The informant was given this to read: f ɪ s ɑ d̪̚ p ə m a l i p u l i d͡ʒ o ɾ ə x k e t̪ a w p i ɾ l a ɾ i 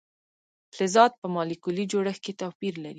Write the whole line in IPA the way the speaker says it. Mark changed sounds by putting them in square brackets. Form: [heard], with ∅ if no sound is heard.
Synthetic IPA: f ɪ [z] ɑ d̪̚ p ə m [ɑ] l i [k] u l i d͡ʒ o [ɽ] ə x k e t̪ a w p i ɾ l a ɾ i